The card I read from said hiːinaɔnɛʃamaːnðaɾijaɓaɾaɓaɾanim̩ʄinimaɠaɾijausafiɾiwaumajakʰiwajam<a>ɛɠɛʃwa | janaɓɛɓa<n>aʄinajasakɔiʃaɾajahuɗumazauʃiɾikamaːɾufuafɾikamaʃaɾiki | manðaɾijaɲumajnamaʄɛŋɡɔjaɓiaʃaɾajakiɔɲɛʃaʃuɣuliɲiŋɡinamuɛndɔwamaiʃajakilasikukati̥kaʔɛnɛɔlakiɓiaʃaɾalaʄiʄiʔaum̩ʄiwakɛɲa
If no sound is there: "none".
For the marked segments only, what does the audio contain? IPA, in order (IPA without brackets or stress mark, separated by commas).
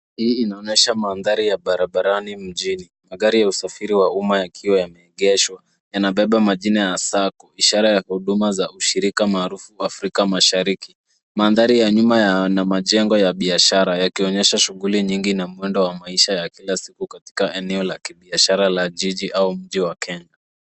ɛ, m